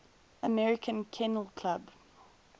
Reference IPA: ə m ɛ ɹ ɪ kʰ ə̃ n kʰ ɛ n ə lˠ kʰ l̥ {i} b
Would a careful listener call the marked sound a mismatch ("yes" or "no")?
yes